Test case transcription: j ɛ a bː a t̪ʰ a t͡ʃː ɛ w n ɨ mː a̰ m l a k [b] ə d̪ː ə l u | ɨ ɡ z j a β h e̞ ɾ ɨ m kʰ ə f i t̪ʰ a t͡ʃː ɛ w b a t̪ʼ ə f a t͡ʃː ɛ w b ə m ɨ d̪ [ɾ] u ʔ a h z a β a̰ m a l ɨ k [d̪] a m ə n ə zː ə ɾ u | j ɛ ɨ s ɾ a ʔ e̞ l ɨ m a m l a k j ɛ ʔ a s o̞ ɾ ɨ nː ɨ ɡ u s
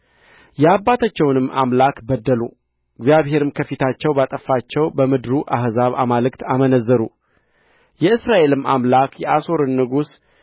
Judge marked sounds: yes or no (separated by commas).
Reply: yes, yes, no